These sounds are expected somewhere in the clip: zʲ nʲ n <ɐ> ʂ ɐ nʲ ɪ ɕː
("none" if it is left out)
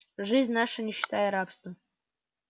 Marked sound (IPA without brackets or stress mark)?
a